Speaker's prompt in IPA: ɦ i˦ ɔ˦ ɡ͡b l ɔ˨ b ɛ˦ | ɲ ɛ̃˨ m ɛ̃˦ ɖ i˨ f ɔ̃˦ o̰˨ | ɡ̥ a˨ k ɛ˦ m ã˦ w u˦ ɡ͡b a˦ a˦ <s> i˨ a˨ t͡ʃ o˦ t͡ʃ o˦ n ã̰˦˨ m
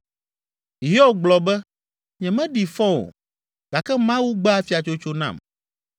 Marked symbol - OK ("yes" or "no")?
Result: no